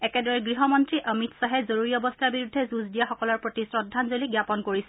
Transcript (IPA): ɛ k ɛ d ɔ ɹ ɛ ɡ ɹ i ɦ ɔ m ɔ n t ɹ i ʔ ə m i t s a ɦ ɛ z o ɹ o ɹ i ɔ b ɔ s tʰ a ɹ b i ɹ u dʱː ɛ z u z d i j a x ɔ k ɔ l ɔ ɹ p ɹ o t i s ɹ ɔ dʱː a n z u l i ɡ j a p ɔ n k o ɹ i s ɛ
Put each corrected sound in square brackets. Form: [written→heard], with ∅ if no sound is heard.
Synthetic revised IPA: ɛ k ɛ d ɔ ɹ ɛ ɡ ɹ i ɦ ɔ m ɔ n t ɹ i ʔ ə m i t s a ɦ ɛ z o ɹ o ɹ i ɔ b ɔ s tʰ a ɹ b i ɹ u dʱː ɛ z u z d i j a x ɔ k ɔ l ɔ ɹ p ɹ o t i s ɹ ɔ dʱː a n z [u→o] l i ɡ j a p ɔ n k o ɹ i s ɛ